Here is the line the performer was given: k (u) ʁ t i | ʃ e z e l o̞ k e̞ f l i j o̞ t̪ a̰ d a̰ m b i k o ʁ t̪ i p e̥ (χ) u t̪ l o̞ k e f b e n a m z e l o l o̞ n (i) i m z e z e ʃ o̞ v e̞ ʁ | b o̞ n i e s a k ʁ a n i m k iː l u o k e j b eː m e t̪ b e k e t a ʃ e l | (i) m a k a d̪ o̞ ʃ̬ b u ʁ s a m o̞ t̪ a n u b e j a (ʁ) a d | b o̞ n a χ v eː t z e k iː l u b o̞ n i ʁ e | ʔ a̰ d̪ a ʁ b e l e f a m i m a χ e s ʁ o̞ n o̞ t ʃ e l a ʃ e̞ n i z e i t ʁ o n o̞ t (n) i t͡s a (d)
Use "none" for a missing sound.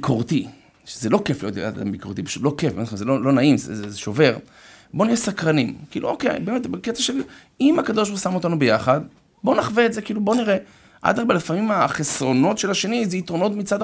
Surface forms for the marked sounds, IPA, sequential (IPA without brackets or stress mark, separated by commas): o, ʃ, a, i, χ, m, d